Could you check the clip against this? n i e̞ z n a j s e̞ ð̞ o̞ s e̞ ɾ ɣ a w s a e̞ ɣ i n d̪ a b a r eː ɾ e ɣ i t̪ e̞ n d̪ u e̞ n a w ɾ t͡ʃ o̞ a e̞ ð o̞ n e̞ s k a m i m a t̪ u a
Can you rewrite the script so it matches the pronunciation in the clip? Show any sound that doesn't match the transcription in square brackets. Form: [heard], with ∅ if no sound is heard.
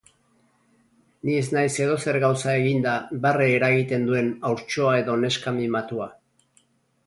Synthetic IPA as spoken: n i e̞ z n a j s e̞ ð̞ o̞ s e̞ ɾ ɣ a w s a e̞ ɣ i n d̪ a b a r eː ɾ [a] ɣ i t̪ e̞ n d̪ u e̞ n a w ɾ t͡ʃ o̞ a e̞ ð o̞ n e̞ s k a m i m a t̪ u a

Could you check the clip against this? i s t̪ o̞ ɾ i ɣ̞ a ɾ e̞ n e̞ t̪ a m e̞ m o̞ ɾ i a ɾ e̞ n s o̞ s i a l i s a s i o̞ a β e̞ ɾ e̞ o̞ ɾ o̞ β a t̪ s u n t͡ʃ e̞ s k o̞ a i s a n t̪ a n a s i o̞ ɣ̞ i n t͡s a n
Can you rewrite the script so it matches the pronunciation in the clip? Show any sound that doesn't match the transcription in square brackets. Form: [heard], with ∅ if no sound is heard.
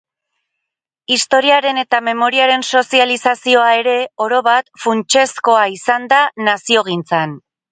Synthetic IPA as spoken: i s t̪ o̞ ɾ i [∅] a ɾ e̞ n e̞ t̪ a m e̞ m o̞ ɾ i a ɾ e̞ n s o̞ s i a l i s a s i o̞ a [∅] e̞ ɾ e̞ o̞ ɾ o̞ β a t̪ [f] u n t͡ʃ e̞ s k o̞ a i s a n [d̪] a n a s i o̞ ɣ̞ i n t͡s a n

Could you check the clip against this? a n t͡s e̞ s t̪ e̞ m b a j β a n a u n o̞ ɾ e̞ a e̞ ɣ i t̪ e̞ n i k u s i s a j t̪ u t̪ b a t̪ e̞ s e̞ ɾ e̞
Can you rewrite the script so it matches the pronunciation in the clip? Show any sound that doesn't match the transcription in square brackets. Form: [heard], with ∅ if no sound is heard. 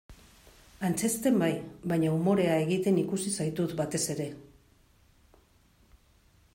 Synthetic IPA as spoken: a n t͡s e̞ s t̪ e̞ m b a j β a [ɲ] a u [m] o̞ ɾ e̞ a e̞ ɣ i t̪ e̞ n i k u s i s a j t̪ u t̪ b a t̪ e̞ s e̞ ɾ e̞

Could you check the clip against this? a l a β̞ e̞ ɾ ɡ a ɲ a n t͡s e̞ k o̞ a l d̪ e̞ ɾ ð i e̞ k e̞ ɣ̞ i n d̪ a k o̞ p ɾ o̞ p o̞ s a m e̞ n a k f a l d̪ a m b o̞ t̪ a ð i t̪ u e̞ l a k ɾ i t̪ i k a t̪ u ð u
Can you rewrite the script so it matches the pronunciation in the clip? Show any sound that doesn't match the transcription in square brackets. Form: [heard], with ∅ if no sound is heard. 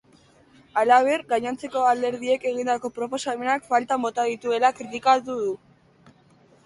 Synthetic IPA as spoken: a l a β̞ e̞ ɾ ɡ a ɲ a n t͡s e̞ k o̞ a l d̪ e̞ ɾ ð i e̞ k e̞ ɣ̞ i n d̪ a k o̞ p ɾ o̞ p o̞ s a m e̞ n a k f a l [t̪] a m b o̞ t̪ a ð i t̪ u e̞ l a k ɾ i t̪ i k a t̪ u ð u

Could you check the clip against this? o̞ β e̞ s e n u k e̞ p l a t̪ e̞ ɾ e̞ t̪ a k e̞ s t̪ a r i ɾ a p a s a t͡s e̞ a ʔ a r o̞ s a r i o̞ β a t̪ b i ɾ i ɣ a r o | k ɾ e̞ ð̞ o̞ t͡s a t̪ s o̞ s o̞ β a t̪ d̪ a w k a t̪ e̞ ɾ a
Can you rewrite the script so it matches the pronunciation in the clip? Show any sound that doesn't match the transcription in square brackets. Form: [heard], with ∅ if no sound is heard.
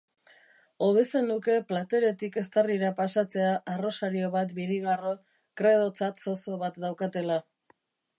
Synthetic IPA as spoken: o̞ β e̞ s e n u k e̞ p l a t̪ e̞ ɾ e̞ t̪ [i] k e̞ s t̪ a r i ɾ a p a s a t͡s e̞ a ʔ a r o̞ s a [ɾ] i o̞ β a t̪ b i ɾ i ɣ a r o | k ɾ e̞ ð̞ o̞ t͡s a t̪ s o̞ s o̞ β a t̪ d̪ a w k a t̪ e̞ [l] a

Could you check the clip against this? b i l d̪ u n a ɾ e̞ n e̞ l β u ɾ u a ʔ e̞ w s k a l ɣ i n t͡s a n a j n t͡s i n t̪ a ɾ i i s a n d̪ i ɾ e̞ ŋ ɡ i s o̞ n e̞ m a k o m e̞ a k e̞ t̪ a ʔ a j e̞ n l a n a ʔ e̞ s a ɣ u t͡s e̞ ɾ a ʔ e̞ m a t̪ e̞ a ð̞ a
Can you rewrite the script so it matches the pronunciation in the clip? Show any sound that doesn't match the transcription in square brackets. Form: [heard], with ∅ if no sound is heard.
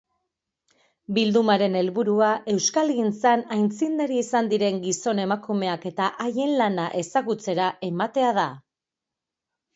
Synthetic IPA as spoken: b i l d̪ u [m] a ɾ e̞ n e̞ l β u ɾ u a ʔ e̞ w s k a l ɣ i n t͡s a n a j n t͡s i n [d̪] a ɾ i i s a n d̪ i ɾ e̞ ŋ ɡ i s o̞ n e̞ m a k [u] m e̞ a k e̞ t̪ a ʔ a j e̞ n l a n a ʔ e̞ s a ɣ u t͡s e̞ ɾ a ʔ e̞ m a t̪ e̞ a ð̞ a

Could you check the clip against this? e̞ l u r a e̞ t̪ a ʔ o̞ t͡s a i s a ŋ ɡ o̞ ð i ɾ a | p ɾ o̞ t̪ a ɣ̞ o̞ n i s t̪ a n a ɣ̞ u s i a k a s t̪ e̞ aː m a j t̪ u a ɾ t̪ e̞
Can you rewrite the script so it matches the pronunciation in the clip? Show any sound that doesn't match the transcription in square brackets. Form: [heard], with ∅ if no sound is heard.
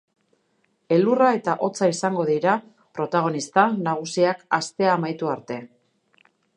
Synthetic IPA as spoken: e̞ l u r a e̞ t̪ a ʔ o̞ t͡s a i s a ŋ ɡ o̞ ð i ɾ a | p ɾ o̞ t̪ a ɣ̞ o̞ n i s t̪ a n a ɣ̞ u s i a k a s t̪ e̞ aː m a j t̪ u a ɾ t̪ e̞

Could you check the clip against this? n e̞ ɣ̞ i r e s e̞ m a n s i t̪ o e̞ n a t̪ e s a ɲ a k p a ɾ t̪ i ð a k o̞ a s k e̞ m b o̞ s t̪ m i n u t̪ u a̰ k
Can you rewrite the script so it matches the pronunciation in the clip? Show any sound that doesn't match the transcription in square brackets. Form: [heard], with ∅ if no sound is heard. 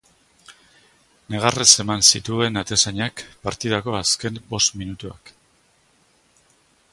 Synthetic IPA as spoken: n e̞ ɣ̞ [a] r e s e̞ m a n s i t̪ [u] e̞ n a t̪ e s a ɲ a k p a ɾ t̪ i ð a k o̞ a s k e̞ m b o̞ s t̪ m i n u t̪ u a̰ k

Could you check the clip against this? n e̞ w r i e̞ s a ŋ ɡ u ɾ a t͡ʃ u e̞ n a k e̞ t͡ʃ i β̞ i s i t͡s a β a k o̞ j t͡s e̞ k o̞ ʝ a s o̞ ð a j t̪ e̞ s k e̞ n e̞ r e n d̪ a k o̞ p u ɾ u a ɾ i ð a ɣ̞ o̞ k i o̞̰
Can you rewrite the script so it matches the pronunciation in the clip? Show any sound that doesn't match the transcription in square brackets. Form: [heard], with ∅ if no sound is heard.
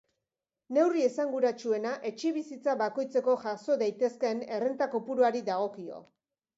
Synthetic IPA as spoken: n e̞ w r i e̞ s a ŋ ɡ u ɾ a t͡ʃ u e̞ n a [ʔ] e̞ t͡ʃ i β̞ i s i t͡s a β a k o̞ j t͡s e̞ k o̞ ʝ a s o̞ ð a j t̪ e̞ s k e̞ n e̞ r e n [t̪] a k o̞ p u ɾ u a ɾ i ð a ɣ̞ o̞ k i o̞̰

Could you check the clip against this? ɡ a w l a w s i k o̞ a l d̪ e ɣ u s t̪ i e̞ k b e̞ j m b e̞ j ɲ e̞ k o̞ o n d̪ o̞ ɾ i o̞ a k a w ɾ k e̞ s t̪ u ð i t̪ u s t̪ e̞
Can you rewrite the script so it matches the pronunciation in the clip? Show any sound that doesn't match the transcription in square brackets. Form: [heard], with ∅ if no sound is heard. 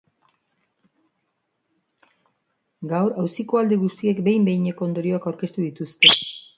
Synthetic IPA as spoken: ɡ a w [ɾ] a w s i k o̞ a l d̪ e ɣ u s t̪ i e̞ k b e̞ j m b e̞ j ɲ e̞ k o̞ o n d̪ o̞ ɾ i o̞ a k a w ɾ k e̞ s t̪ u ð i t̪ u s t̪ e̞

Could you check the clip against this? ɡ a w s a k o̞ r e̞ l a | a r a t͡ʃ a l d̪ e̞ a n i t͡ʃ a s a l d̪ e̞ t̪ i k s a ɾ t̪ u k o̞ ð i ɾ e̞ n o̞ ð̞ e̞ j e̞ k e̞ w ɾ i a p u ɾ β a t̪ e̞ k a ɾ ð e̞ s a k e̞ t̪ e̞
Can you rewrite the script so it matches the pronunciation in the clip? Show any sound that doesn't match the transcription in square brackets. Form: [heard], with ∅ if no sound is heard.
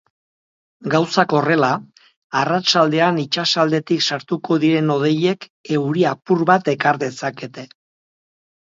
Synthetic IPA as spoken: ɡ a w s a k o̞ r e̞ l a | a r a t͡ʃ a l d̪ e̞ a n i t͡ʃ a s a l d̪ e̞ t̪ i k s a ɾ t̪ u k o̞ ð i ɾ e̞ n o̞ ð̞ e̞ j e̞ k e̞ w ɾ i a p u ɾ β a t̪ e̞ k a ɾ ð e̞ s a k e̞ t̪ e̞

